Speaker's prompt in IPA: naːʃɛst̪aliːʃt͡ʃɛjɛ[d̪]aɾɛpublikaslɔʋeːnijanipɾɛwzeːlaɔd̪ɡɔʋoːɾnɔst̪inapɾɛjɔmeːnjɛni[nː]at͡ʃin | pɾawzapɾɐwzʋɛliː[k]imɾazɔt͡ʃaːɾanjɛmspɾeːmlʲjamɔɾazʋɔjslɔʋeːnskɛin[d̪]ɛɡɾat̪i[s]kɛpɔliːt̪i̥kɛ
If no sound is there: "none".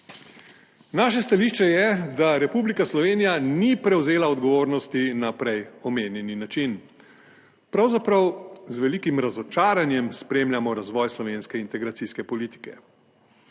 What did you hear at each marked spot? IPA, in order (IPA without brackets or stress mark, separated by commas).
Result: d̪, n, k, t̪, s